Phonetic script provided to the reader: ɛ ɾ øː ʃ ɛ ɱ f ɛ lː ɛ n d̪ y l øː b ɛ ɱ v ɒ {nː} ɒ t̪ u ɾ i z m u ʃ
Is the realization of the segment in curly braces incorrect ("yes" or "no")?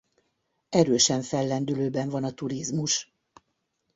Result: yes